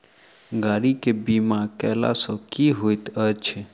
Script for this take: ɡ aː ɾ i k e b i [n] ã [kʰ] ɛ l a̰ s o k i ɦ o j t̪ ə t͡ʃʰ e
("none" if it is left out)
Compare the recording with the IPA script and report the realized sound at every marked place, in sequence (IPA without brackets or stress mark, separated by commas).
m, k